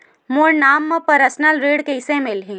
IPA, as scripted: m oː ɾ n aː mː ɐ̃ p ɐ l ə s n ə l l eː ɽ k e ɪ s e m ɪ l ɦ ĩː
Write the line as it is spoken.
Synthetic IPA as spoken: m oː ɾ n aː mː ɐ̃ p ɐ ɾ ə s n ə l ɾ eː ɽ k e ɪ s e m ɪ l ɦ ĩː